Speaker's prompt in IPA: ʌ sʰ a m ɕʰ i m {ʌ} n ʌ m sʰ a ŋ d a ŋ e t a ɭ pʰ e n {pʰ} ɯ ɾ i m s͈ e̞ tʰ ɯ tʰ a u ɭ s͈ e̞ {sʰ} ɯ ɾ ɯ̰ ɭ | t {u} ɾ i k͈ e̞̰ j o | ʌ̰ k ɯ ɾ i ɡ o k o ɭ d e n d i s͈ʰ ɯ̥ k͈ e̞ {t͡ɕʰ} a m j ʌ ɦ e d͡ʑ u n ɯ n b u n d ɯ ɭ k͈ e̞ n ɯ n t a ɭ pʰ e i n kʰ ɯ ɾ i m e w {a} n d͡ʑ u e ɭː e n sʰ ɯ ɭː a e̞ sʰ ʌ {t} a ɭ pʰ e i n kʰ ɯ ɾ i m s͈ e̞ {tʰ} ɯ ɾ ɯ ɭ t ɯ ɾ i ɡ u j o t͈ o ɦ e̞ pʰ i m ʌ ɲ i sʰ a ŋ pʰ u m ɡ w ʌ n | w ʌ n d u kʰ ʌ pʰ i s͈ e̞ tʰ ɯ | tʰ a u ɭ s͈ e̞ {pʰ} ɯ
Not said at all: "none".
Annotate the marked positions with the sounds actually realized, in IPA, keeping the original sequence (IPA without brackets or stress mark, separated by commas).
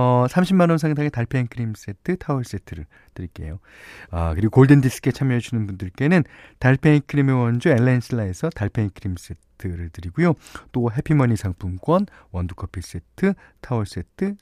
a, kʰ, tʰ, ɯ, t͡ɕʰ, ʌ, t, tʰ, tʰ